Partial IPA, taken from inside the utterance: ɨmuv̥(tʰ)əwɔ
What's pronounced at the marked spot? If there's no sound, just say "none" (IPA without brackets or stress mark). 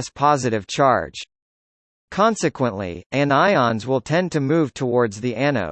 tʰ